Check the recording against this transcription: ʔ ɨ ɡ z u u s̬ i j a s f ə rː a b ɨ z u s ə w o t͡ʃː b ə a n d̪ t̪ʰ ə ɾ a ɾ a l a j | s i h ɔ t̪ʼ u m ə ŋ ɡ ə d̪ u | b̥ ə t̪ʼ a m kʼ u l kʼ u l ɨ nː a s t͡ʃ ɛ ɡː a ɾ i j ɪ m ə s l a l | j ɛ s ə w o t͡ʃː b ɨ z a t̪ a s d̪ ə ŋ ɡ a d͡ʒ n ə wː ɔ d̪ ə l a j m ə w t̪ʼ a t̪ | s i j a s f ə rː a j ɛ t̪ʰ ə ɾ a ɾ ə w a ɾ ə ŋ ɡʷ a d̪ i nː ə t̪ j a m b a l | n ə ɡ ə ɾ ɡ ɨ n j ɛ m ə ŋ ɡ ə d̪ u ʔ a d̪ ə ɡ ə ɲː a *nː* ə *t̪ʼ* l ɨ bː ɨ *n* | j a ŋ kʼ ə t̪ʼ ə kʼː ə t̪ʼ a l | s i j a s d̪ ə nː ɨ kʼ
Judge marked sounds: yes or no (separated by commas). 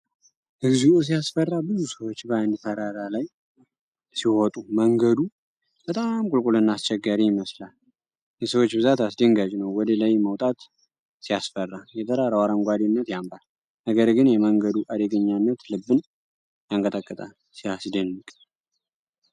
yes, no, yes